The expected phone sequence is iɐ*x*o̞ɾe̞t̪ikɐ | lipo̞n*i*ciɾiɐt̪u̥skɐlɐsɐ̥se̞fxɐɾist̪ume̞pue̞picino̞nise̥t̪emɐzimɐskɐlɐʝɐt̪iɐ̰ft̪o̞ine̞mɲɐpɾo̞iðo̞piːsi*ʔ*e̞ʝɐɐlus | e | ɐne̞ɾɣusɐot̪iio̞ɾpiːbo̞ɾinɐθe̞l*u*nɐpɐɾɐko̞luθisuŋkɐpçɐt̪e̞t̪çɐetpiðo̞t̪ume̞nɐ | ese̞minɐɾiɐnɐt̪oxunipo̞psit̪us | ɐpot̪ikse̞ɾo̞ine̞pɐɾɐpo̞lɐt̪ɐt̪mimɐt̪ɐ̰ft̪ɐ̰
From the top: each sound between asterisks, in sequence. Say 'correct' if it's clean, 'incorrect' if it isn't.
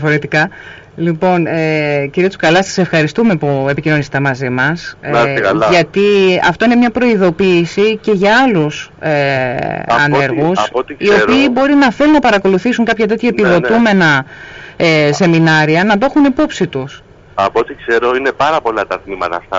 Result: incorrect: f, incorrect: e, incorrect: c, correct

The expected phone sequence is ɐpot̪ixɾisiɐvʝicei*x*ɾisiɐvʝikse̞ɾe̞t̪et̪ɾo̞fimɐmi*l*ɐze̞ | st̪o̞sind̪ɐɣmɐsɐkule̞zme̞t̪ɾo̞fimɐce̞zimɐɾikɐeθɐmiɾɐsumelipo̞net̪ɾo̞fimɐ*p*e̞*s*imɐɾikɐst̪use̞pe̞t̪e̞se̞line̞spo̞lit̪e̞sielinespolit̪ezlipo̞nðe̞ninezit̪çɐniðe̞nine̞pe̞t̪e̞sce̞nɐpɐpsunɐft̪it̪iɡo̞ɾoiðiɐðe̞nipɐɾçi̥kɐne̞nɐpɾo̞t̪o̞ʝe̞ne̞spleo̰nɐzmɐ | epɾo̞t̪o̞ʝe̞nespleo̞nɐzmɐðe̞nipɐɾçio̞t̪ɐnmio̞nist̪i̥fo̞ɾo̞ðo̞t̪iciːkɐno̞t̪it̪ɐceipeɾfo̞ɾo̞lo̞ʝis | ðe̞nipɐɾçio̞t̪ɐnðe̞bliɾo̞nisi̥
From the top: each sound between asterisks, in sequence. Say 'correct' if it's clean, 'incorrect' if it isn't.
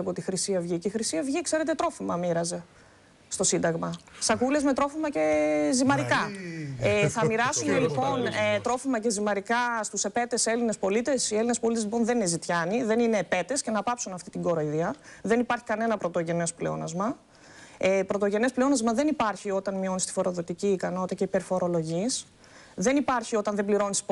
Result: correct, incorrect: ɾ, incorrect: c, incorrect: z

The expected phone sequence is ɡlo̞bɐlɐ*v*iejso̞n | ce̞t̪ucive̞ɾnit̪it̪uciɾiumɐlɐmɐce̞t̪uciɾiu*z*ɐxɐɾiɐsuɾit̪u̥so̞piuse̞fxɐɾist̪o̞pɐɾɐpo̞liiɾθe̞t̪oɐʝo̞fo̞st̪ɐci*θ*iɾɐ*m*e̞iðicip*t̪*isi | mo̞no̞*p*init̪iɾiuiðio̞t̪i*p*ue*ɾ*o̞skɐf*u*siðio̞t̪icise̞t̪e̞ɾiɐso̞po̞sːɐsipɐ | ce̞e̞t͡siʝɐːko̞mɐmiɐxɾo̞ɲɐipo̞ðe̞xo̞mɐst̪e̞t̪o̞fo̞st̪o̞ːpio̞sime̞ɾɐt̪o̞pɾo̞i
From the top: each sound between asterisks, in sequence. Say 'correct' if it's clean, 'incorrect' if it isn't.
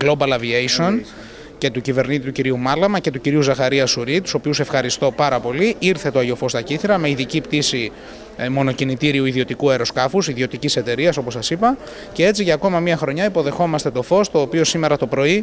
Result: correct, correct, correct, correct, correct, incorrect: c, incorrect: k, correct, correct

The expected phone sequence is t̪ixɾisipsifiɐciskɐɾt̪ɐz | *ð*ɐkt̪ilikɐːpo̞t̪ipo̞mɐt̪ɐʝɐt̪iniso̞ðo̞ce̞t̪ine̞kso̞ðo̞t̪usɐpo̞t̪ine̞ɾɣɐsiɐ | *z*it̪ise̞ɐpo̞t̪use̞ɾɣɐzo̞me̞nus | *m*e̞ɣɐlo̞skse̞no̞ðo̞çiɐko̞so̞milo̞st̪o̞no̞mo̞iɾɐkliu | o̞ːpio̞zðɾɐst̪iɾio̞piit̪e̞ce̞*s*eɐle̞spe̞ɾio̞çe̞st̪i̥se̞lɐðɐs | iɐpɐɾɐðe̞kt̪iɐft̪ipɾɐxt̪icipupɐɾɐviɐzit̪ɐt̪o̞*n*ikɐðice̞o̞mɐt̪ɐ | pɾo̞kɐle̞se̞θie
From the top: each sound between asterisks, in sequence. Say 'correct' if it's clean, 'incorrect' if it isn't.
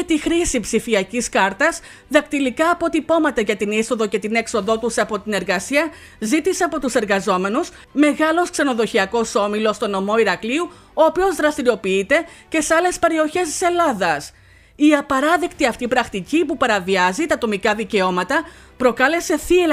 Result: correct, correct, correct, correct, incorrect: m

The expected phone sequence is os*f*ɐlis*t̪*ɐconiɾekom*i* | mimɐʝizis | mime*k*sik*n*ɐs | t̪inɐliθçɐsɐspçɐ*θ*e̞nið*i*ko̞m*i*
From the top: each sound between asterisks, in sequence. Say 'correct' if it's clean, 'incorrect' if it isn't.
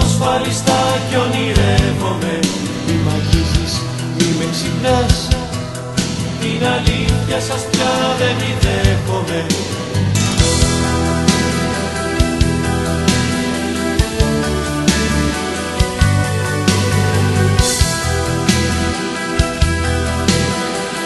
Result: correct, correct, incorrect: e, correct, correct, incorrect: ð, incorrect: e, incorrect: e

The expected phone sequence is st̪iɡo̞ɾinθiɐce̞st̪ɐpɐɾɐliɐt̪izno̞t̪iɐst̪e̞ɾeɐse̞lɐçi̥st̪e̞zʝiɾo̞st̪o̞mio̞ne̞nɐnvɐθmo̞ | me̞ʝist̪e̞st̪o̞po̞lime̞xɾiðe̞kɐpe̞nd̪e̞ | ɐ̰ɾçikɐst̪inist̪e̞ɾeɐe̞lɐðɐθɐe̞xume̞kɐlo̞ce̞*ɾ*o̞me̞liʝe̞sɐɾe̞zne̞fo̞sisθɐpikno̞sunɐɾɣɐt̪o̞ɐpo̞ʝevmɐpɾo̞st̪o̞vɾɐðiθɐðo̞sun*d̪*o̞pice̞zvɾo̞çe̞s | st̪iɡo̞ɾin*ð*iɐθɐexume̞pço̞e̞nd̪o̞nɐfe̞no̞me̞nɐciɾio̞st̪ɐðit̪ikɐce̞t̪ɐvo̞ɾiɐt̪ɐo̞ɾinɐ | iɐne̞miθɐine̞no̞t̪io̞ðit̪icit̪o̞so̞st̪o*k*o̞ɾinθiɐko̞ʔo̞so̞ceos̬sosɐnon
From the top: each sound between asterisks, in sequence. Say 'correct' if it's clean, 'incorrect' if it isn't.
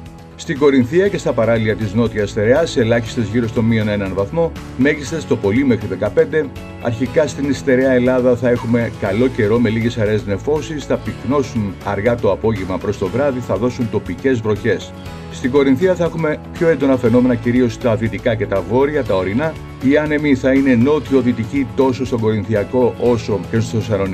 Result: correct, incorrect: t̪, incorrect: θ, incorrect: ɡ

